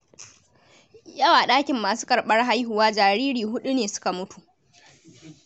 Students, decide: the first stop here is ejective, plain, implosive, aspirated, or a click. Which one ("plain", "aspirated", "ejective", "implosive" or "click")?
implosive